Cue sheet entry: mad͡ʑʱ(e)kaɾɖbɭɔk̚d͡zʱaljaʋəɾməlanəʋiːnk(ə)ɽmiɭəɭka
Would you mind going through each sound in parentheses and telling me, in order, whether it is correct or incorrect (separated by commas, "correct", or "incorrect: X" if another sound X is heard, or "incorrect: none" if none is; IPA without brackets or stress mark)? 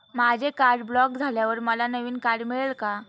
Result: correct, incorrect: a